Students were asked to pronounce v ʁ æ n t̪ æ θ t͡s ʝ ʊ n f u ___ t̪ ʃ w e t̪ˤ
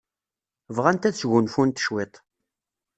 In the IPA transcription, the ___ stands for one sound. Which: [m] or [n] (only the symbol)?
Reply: n